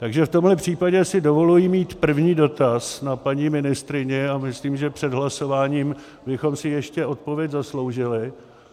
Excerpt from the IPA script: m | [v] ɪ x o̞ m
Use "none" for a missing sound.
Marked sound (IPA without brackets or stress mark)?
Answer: b